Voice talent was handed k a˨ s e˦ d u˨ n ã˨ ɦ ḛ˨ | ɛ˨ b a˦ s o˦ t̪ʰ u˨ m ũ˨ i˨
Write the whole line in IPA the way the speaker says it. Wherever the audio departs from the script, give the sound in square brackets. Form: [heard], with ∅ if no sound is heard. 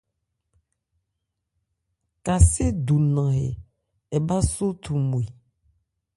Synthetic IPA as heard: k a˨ s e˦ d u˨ n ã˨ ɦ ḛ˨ | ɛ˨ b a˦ s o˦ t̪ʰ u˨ m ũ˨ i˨